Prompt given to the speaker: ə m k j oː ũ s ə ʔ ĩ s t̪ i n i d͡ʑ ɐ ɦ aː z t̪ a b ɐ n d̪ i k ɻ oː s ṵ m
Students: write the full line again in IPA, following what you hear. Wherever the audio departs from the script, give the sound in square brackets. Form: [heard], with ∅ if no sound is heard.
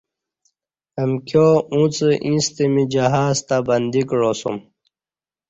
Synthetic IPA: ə m k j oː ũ [t͡s] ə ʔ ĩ s t̪ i [m] i d͡ʑ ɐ ɦ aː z t̪ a b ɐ n d̪ i k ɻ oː s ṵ m